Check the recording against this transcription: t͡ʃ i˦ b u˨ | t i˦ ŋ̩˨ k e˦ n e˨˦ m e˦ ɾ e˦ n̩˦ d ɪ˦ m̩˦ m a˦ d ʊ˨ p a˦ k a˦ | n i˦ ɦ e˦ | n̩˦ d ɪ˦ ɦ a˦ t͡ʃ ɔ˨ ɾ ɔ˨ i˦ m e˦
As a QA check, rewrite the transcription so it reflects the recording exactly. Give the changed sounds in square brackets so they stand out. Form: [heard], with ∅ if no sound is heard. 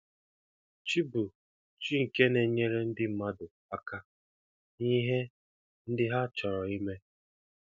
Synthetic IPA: t͡ʃ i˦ b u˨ | [t͡ʃ] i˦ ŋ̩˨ k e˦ n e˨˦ [ɲ] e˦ ɾ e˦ n̩˦ d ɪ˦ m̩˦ m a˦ d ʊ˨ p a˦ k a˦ | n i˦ ɦ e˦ | n̩˦ d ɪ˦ ɦ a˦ t͡ʃ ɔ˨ ɾ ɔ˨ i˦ m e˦